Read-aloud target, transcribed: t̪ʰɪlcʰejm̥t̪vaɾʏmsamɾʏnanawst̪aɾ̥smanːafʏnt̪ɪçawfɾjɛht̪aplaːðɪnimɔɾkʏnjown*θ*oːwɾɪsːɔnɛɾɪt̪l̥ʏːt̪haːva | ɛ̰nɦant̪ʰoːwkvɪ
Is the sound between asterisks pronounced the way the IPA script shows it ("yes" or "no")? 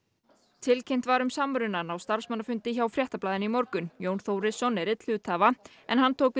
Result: yes